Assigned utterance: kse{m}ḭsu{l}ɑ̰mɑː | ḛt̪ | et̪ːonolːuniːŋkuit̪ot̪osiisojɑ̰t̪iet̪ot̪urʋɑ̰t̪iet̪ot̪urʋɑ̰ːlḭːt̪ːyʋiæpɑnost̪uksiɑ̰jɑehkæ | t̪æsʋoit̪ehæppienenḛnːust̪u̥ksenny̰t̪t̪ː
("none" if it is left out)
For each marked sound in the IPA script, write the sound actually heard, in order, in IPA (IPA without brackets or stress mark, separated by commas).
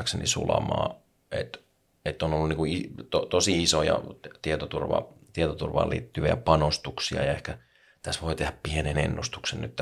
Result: n, l